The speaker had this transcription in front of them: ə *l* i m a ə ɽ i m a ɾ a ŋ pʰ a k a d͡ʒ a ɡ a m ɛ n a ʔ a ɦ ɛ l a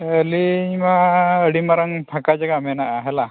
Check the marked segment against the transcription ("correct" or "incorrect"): correct